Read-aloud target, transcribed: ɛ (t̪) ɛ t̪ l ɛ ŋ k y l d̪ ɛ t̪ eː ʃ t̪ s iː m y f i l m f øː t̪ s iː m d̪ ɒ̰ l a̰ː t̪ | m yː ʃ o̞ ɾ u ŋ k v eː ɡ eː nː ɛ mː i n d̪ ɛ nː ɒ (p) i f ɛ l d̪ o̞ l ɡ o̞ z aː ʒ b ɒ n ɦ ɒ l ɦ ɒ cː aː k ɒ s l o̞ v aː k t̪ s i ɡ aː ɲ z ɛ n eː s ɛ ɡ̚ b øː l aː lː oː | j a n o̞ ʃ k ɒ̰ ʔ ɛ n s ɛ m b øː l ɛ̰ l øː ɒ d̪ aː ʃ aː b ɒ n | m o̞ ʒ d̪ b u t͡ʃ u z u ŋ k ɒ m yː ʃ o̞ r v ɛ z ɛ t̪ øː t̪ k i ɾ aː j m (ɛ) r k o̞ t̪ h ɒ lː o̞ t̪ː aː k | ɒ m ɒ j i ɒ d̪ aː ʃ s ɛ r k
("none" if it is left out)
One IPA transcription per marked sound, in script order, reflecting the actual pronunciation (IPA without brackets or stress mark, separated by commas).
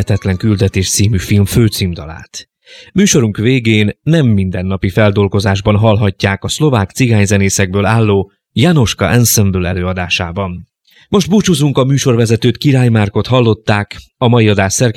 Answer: t̪, p, a